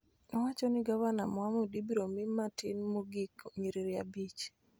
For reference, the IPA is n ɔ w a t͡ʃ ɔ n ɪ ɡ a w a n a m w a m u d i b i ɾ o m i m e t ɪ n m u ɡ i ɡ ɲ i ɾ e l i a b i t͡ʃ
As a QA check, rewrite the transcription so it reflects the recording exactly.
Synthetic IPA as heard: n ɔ w a t͡ʃ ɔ n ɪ ɡ a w a n a m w a m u d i b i ɾ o m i m a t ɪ n m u ɡ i k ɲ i ɾ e ɾ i a b i t͡ʃ